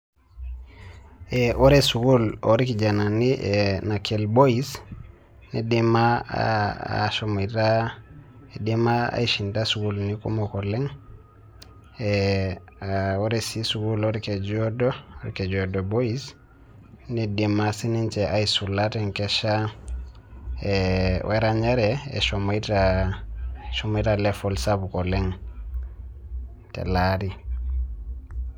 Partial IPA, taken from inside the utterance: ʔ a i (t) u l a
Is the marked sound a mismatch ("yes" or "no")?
yes